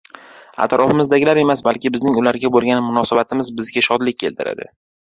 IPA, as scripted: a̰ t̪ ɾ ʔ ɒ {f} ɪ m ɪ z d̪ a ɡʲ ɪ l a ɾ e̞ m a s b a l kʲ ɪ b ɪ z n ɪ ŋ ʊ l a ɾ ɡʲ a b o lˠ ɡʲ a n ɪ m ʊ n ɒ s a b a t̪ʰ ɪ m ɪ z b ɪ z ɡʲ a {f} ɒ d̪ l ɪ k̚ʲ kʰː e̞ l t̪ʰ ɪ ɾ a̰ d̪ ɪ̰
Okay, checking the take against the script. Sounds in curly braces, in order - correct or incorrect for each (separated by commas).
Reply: correct, incorrect